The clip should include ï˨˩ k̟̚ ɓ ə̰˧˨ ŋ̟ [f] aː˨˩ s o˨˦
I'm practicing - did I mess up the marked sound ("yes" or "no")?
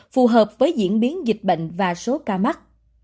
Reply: yes